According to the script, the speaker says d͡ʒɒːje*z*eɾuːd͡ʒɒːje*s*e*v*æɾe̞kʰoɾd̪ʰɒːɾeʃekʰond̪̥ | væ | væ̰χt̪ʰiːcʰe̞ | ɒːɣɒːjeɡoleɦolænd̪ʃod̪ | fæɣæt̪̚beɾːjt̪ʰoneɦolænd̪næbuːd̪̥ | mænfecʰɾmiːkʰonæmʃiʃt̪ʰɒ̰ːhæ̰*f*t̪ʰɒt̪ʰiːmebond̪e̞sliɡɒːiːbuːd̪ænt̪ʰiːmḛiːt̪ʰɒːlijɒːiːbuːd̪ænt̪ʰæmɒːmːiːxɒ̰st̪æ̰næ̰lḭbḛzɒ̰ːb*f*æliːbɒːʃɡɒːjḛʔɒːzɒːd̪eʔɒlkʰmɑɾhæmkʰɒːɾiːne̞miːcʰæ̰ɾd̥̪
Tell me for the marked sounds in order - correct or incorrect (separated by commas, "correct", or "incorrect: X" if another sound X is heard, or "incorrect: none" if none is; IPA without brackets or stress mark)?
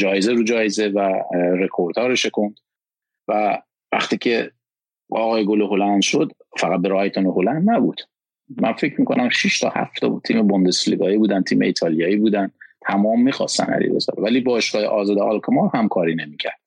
correct, incorrect: z, correct, correct, incorrect: v